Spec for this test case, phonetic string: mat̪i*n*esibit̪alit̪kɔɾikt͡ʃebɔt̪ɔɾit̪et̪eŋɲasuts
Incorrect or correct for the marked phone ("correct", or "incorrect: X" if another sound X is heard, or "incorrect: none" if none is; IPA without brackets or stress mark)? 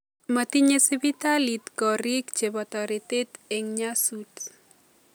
incorrect: ɲ